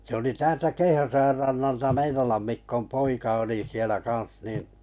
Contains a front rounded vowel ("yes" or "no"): no